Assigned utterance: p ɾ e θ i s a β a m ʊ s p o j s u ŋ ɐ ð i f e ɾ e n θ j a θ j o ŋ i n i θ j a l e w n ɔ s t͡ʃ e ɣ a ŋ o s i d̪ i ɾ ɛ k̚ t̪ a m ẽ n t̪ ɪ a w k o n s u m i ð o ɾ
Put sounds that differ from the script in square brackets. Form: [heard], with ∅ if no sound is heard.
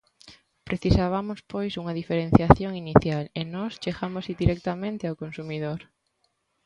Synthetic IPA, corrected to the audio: p ɾ e θ i s a β a m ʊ s p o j s u ŋ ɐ ð i f e ɾ e n θ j a θ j o ŋ i n i θ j a l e [∅] n ɔ s t͡ʃ e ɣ a [m] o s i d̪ i ɾ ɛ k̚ t̪ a m ẽ n t̪ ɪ a w k o n s u m i ð o ɾ